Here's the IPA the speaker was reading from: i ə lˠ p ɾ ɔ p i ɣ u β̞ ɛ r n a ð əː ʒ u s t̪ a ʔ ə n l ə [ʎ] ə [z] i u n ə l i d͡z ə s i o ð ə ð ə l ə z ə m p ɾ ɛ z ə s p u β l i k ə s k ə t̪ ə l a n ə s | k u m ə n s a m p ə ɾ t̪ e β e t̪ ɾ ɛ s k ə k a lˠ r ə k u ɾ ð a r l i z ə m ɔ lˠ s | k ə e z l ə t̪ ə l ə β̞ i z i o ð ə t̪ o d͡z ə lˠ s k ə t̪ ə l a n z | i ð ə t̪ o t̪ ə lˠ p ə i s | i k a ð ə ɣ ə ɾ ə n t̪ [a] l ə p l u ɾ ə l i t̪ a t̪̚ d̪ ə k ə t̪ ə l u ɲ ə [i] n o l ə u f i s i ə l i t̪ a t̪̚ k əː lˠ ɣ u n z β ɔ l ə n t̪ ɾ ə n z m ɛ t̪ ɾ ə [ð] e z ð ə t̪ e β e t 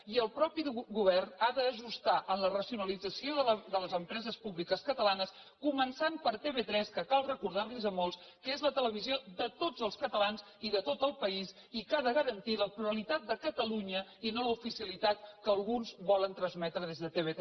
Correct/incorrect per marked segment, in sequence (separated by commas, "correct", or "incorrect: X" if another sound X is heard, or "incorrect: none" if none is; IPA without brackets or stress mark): incorrect: r, incorrect: s, incorrect: i, correct, correct